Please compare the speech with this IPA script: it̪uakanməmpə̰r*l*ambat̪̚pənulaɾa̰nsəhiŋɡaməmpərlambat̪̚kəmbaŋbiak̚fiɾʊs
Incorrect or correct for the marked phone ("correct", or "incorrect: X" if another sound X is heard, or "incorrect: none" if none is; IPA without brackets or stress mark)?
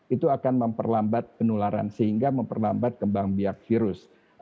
correct